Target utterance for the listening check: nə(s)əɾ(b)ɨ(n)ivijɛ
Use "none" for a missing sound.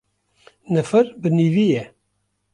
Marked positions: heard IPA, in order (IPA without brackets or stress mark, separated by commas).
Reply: f, b, n